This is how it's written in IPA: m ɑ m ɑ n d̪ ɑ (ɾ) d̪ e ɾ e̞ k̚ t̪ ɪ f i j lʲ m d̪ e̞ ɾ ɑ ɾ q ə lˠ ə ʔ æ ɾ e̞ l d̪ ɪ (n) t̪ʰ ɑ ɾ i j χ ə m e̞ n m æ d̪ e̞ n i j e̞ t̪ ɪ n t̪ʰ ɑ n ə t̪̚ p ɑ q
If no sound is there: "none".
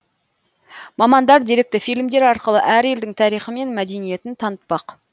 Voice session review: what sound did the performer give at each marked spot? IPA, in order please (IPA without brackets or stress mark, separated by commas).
ɾ, ŋ